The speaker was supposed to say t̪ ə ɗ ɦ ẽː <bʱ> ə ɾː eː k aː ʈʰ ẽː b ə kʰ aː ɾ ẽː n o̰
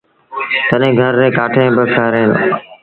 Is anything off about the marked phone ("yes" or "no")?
yes